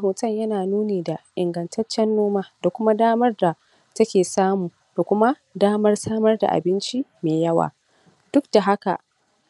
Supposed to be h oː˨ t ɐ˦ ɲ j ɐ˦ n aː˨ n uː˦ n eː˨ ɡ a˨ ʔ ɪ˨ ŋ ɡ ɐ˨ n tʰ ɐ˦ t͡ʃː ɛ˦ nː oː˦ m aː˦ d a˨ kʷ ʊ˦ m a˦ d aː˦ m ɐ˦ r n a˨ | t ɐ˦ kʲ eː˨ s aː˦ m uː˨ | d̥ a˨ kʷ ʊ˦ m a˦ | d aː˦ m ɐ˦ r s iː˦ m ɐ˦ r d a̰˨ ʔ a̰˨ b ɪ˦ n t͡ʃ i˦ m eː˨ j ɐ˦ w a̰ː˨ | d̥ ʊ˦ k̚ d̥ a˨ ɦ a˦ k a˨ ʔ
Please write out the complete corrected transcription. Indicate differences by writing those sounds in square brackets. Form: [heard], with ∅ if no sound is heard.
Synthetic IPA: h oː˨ t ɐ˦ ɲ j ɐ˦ n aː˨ n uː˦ n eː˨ [d] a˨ ʔ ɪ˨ ŋ ɡ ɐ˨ n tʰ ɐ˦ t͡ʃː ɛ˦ nː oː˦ m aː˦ d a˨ kʷ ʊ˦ m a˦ d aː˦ m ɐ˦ r [d] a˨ | t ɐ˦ kʲ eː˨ s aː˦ m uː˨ | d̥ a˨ kʷ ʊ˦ m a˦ | d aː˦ m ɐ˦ r s [aː˦] m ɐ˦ r d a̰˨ ʔ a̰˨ b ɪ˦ n t͡ʃ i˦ m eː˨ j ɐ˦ w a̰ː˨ | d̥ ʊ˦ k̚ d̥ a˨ ɦ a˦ k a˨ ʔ